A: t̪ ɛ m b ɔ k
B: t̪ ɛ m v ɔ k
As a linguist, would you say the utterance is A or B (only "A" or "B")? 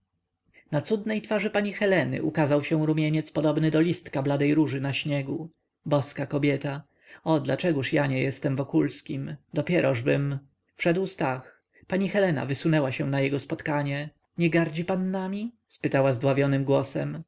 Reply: B